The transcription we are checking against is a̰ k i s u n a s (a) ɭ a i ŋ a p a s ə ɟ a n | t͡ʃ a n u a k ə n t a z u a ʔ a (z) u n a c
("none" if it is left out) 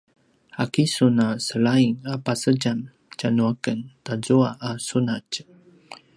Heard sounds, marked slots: ə, s

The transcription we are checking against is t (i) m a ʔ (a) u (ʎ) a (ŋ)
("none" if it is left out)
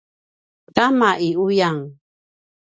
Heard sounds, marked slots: a, i, j, ŋ

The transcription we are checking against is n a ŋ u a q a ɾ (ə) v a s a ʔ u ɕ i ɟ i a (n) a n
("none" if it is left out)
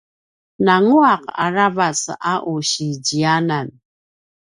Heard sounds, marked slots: a, n

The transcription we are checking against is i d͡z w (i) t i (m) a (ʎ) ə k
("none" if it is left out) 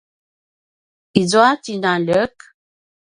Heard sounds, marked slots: a, n, l

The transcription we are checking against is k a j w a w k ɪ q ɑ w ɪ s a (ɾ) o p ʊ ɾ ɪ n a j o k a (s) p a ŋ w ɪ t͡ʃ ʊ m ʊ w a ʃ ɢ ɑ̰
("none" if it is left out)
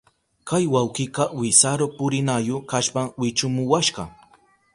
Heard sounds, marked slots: ɾ, ʃ

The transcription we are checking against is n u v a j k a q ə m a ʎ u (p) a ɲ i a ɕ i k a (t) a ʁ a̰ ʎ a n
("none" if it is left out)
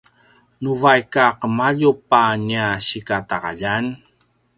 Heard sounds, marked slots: p, t

